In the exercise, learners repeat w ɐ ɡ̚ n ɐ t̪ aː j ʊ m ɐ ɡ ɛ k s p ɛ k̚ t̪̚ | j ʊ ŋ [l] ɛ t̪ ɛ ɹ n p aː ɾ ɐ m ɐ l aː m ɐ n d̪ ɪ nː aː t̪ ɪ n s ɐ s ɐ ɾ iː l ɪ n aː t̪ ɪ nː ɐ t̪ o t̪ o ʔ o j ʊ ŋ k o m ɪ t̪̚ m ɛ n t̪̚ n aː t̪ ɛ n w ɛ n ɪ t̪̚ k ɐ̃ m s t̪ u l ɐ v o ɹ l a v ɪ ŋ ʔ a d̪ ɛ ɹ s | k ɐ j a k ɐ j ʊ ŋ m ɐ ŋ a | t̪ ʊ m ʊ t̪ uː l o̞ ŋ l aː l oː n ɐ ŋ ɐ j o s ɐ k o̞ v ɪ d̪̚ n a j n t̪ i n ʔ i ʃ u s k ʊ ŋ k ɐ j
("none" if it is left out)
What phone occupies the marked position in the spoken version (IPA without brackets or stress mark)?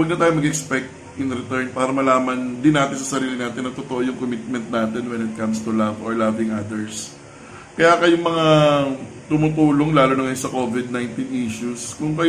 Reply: ɾ